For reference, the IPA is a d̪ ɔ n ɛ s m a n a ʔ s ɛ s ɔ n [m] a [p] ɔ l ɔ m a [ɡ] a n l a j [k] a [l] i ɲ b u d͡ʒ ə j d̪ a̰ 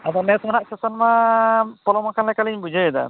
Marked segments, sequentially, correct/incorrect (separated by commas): correct, correct, incorrect, correct, correct